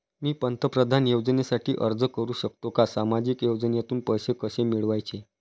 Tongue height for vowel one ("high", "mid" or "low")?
high